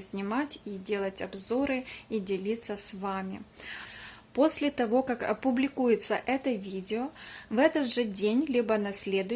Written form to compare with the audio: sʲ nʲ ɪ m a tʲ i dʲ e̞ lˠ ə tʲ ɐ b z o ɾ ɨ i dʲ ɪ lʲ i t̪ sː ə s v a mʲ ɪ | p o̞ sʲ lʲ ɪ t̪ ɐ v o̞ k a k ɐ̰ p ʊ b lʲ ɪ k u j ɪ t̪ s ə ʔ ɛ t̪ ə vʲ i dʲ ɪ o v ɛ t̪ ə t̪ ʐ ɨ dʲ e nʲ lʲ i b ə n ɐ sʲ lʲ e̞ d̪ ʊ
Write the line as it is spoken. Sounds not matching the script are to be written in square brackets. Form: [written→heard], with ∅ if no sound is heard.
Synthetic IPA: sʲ nʲ ɪ m a tʲ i dʲ e̞ lˠ ə tʲ ɐ b z o ɾ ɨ i dʲ ɪ lʲ i t̪ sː ə s v a mʲ ɪ | p o̞ sʲ lʲ ɪ t̪ ɐ v o̞ k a k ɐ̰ p ʊ b lʲ ɪ k u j ɪ t̪ s ə ʔ ɛ t̪ ə vʲ i dʲ ɪ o v ɛ t̪ ə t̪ ʐ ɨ dʲ e nʲ lʲ i b ə n ɐ sʲ lʲ e̞ d̪ ʊ